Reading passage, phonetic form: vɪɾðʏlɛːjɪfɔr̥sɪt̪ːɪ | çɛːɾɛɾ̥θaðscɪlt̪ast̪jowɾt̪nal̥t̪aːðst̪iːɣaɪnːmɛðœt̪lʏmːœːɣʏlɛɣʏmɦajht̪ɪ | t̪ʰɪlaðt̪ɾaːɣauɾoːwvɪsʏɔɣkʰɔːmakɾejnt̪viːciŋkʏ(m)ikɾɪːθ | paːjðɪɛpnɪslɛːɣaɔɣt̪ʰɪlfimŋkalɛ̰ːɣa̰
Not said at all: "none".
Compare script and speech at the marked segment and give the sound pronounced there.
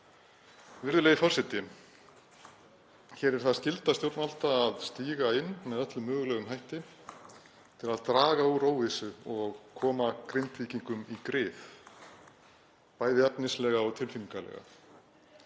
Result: m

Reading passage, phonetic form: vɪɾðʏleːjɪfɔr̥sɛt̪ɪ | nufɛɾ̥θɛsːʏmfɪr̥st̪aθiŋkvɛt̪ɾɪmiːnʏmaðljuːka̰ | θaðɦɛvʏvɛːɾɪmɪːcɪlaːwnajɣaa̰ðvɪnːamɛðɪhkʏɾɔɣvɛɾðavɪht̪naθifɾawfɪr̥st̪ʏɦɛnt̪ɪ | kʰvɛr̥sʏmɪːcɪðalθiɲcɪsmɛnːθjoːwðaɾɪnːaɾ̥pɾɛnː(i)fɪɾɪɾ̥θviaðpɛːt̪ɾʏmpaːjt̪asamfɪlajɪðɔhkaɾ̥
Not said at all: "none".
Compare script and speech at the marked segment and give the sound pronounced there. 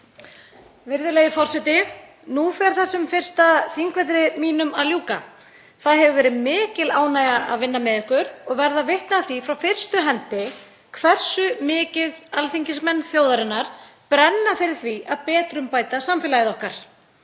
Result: a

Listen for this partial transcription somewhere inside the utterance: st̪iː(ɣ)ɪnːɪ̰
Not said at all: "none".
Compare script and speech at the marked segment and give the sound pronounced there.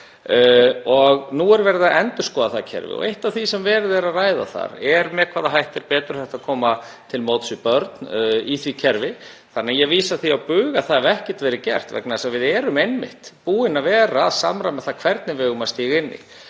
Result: ɣ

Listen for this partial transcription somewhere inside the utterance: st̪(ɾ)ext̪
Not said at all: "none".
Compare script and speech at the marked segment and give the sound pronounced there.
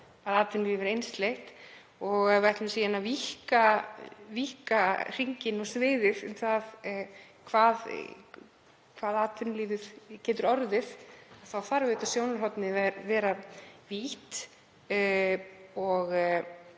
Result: l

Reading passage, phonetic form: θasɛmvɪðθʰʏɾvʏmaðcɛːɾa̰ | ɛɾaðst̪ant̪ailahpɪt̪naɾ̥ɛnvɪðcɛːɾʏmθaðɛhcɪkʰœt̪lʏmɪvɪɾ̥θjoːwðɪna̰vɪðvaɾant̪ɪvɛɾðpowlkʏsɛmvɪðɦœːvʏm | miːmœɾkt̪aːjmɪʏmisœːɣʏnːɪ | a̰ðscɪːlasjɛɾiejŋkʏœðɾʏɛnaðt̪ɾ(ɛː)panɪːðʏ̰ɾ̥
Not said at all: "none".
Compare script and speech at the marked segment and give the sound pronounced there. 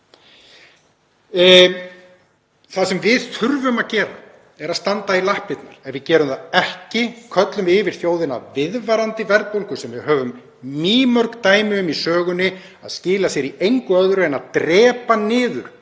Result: ɛː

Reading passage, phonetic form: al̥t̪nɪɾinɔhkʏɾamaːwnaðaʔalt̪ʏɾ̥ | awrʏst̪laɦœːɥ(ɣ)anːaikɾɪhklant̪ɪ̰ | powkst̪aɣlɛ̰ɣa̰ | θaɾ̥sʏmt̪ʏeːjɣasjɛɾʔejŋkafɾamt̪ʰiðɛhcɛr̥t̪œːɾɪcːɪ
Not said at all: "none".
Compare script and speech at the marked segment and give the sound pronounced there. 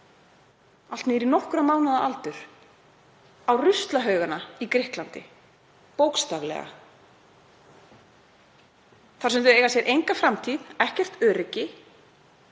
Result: ɣ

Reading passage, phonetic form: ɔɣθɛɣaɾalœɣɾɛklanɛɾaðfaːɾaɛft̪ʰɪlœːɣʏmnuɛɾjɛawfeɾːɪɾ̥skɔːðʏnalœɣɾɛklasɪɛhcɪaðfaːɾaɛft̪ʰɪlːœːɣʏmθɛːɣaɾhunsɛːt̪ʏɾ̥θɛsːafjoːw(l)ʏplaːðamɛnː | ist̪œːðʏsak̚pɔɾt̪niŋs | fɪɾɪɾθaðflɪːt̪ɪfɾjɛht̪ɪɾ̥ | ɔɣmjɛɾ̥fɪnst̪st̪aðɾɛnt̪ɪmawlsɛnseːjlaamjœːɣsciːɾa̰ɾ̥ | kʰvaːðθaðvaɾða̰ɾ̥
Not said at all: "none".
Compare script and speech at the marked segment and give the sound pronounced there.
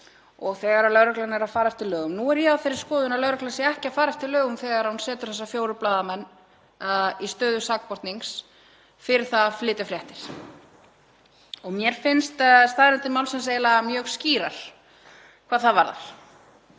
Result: ɾ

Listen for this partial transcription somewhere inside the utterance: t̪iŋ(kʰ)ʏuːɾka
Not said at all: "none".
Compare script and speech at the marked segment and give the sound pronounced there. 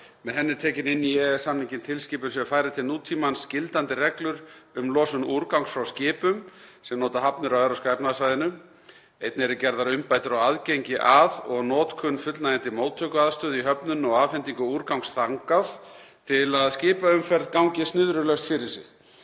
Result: k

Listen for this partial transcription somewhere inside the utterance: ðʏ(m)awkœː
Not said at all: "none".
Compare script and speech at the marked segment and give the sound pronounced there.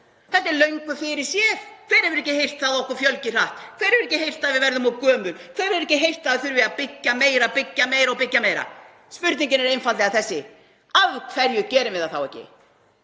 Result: m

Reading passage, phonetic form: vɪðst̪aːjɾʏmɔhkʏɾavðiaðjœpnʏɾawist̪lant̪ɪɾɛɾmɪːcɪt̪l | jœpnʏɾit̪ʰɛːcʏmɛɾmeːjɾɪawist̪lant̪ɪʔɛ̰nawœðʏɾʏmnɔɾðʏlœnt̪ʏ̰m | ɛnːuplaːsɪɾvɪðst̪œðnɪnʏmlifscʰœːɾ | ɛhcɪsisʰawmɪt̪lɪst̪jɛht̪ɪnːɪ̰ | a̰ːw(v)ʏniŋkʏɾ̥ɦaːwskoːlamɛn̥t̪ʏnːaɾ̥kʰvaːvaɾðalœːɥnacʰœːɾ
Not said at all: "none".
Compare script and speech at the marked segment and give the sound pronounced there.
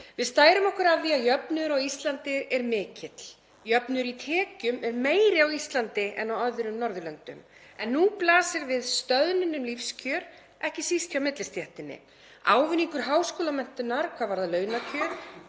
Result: v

